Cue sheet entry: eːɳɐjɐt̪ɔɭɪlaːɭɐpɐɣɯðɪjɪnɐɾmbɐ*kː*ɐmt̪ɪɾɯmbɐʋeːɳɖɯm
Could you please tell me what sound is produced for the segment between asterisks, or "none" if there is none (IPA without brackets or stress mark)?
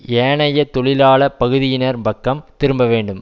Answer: kː